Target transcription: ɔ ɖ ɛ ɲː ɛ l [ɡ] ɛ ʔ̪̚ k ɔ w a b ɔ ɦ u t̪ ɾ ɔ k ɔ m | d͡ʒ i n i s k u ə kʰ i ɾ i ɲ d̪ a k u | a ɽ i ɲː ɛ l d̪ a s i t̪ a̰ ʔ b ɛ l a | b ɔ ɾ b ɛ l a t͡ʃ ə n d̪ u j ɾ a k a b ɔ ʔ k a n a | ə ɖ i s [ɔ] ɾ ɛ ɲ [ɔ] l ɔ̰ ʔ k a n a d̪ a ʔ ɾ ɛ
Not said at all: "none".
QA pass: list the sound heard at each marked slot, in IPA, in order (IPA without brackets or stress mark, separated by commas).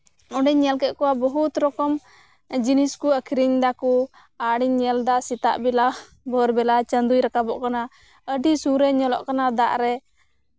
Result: k, u, ɔ